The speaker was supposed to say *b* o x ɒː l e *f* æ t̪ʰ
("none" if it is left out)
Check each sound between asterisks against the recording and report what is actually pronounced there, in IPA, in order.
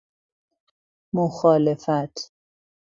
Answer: m, f

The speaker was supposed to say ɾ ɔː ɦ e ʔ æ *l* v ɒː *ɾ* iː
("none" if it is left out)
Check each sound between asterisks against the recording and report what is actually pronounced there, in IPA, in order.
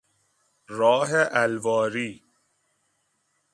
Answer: l, ɾ

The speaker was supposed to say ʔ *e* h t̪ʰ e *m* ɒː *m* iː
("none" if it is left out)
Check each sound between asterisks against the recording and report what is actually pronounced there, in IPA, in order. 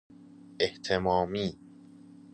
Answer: e, m, m

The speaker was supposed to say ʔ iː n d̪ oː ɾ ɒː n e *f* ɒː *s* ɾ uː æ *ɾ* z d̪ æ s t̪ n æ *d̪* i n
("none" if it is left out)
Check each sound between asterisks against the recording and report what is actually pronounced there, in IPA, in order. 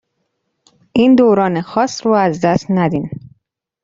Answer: x, s, none, d̪

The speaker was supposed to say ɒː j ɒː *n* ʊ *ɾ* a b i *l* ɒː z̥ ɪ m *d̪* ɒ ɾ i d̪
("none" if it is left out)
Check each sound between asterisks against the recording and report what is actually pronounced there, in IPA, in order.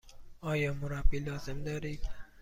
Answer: m, ɾ, l, d̪

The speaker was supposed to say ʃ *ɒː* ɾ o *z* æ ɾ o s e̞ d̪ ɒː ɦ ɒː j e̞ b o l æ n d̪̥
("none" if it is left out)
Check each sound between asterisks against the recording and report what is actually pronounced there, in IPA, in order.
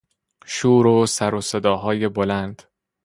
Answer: uː, s

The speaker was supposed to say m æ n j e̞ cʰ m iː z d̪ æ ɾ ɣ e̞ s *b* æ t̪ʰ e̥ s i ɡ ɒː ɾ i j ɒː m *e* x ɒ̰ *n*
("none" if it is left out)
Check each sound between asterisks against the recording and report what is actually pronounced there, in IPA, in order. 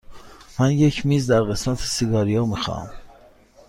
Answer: m, i, m

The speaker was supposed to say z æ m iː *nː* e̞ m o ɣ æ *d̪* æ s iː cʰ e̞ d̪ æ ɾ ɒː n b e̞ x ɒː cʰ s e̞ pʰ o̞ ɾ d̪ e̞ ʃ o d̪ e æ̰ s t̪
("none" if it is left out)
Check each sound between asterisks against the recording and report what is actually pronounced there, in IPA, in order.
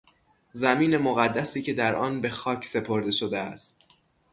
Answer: n, d̪ː

